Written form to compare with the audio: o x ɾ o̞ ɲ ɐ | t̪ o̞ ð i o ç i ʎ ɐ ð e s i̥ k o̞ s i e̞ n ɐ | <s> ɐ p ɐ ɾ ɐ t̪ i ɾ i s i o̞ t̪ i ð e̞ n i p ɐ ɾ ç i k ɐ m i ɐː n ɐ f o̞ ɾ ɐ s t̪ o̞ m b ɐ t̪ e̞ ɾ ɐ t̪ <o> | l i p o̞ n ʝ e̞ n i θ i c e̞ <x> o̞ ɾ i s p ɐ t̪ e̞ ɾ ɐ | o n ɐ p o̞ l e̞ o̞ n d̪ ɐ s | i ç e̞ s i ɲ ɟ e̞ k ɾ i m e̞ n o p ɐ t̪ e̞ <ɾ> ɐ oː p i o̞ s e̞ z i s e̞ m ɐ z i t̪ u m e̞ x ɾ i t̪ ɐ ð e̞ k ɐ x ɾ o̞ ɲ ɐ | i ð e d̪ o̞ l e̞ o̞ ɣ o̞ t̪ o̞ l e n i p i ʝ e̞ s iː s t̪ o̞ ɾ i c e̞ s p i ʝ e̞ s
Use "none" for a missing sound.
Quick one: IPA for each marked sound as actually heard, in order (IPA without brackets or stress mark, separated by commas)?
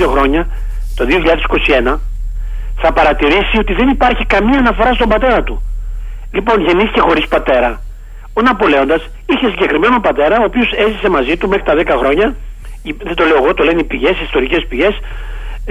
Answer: θ, u, x, ɾ